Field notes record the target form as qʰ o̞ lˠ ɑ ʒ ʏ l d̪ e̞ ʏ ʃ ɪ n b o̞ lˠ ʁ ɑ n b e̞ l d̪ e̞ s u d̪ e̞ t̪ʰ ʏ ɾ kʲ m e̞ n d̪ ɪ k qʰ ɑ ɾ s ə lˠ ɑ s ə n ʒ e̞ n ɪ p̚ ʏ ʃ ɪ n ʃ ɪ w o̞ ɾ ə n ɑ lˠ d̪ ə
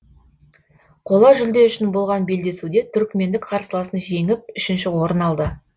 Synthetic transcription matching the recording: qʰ o̞ lˠ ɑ ʒ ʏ l d̪ e̞ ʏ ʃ ɪ n b o̞ lˠ ʁ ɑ n b e̞ l d̪ e̞ s u d̪ e̞ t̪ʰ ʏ ɾ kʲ m e̞ n d̪ ɪ k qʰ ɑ ɾ s ə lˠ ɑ s ə n ʒ e̞ ŋ ɪ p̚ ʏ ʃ ɪ n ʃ ɪ w o̞ ɾ ə n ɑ lˠ d̪ ə